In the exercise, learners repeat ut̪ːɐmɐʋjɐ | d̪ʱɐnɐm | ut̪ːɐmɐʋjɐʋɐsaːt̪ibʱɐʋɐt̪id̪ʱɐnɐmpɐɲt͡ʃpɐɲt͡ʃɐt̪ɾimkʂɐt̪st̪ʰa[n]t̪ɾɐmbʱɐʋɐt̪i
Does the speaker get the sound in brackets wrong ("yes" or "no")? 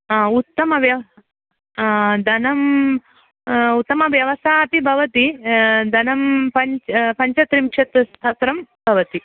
yes